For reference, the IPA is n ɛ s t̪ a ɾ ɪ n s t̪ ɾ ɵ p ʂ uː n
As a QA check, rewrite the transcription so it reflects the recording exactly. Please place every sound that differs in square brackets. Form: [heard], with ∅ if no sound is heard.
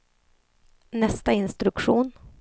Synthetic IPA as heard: n ɛ s t̪ a [∅] ɪ n s t̪ ɾ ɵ [k] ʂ uː n